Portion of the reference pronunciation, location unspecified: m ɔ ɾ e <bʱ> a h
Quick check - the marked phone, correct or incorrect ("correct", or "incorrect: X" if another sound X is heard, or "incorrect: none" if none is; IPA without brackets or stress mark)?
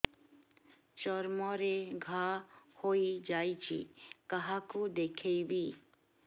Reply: incorrect: ɡʱ